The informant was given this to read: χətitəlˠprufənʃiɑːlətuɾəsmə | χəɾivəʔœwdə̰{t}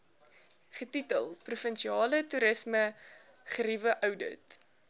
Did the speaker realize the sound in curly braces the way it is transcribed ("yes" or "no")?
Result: yes